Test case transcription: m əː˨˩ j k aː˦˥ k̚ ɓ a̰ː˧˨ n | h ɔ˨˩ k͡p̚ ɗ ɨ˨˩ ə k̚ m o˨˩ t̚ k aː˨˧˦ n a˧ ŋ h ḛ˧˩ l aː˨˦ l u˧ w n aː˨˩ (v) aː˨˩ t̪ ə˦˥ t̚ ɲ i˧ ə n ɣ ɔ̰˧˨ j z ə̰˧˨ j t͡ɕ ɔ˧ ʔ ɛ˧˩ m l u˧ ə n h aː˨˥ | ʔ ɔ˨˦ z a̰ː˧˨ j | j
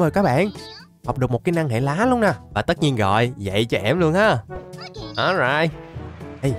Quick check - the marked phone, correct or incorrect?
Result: correct